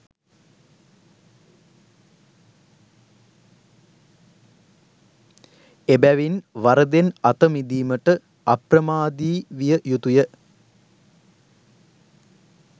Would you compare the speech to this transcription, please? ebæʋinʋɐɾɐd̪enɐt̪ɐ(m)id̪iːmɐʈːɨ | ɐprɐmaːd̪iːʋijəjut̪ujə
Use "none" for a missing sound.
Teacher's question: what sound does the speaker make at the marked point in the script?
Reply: m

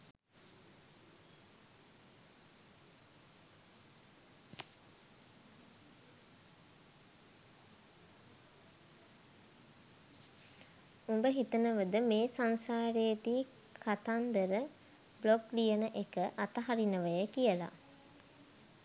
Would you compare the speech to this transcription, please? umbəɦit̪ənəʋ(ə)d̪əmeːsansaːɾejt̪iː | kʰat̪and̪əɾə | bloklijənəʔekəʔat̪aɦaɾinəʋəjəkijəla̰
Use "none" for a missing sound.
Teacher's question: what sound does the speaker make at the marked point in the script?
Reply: ə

